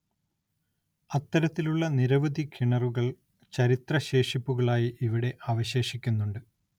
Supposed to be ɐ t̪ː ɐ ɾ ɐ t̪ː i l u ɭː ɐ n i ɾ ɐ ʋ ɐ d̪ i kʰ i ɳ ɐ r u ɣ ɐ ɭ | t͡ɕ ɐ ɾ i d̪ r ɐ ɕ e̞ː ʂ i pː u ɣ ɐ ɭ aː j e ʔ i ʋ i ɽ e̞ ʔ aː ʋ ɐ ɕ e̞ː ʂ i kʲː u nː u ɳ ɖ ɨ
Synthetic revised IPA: ɐ t̪ː ɐ ɾ ɐ t̪ː i l u ɭː ɐ n i ɾ ɐ ʋ ɐ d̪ i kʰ i ɳ ɐ r u ɣ ɐ ɭ | t͡ɕ ɐ ɾ i t̪ r ɐ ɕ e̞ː ʂ i pː u ɣ ɐ ɭ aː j i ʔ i ʋ i ɽ e̞ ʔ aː ʋ ɐ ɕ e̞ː ʂ i kʲː u nː u ɳ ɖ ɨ